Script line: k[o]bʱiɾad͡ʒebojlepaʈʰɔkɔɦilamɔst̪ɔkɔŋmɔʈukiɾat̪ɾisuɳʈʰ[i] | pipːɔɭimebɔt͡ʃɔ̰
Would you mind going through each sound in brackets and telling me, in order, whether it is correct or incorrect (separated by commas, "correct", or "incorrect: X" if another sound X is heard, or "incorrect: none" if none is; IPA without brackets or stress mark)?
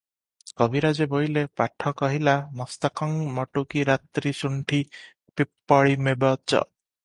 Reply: incorrect: ɔ, correct